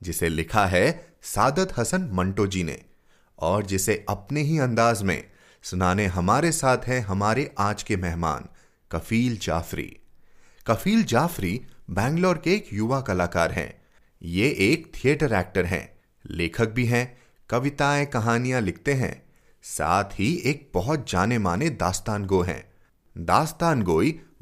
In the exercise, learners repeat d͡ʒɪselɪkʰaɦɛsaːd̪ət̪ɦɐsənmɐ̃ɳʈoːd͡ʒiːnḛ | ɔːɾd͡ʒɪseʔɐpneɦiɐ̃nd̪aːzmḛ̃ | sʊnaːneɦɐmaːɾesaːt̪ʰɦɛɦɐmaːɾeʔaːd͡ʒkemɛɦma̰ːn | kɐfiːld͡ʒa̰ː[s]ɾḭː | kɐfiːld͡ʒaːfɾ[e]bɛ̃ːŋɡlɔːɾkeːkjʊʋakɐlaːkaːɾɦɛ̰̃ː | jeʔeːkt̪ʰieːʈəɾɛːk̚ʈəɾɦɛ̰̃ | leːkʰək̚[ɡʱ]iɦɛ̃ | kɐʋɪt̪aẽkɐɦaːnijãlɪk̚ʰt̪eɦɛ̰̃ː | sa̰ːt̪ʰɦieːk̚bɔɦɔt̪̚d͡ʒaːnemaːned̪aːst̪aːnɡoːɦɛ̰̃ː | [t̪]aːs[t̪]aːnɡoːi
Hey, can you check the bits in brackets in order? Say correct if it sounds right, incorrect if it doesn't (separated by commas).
incorrect, incorrect, incorrect, incorrect, correct